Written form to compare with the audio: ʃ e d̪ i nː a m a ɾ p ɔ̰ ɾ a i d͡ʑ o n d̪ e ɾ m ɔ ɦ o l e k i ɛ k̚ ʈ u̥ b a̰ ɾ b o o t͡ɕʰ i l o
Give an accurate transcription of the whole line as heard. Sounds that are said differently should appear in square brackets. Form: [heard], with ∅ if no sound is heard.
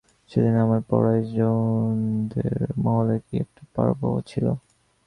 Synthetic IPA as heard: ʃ e d̪ i [n] a m a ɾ p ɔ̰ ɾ a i d͡ʑ o n d̪ e ɾ m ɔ ɦ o l e k i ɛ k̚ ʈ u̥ [p] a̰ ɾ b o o t͡ɕʰ i l o